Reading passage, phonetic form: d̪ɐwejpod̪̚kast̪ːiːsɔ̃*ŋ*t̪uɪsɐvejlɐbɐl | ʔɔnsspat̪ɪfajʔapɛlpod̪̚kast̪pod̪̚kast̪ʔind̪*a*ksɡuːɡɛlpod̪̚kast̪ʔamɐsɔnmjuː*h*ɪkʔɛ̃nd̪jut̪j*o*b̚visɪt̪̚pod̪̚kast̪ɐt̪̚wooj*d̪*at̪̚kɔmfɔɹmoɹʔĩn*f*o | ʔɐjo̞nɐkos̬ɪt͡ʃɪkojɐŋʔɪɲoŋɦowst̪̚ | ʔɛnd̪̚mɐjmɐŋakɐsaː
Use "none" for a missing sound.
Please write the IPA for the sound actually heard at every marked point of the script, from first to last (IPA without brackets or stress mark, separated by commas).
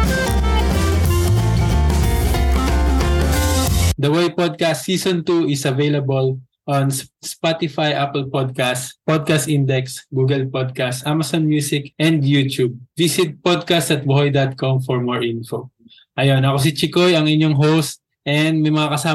n, ɛ, s, u, d̪, f